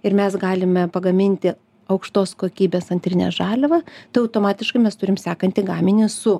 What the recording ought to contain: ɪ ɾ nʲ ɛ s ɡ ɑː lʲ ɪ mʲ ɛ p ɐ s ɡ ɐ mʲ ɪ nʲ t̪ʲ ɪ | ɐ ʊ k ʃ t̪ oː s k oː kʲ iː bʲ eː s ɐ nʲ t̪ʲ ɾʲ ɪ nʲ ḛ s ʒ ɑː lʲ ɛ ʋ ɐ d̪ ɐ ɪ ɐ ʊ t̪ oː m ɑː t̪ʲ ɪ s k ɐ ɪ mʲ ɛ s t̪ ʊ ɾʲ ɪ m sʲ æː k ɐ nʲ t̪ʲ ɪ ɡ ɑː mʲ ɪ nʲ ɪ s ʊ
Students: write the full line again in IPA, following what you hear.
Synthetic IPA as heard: ɪ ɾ mʲ ɛ s ɡ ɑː lʲ ɪ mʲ ɛ p ɐ ɡ ɐ mʲ ɪ nʲ t̪ʲ ɪ | ɐ ʊ k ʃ t̪ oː s k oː kʲ iː bʲ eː s ɐ nʲ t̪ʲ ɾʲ ɪ nʲ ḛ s ʒ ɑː lʲ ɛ ʋ ɐ t̪ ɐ ɪ ɐ ʊ t̪ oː m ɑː t̪ʲ ɪ ʃ k ɐ ɪ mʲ ɛ s t̪ ʊ ɾʲ ɪ m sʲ æː k ɐ nʲ t̪ʲ ɪ ɡ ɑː mʲ ɪ nʲ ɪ s ʊ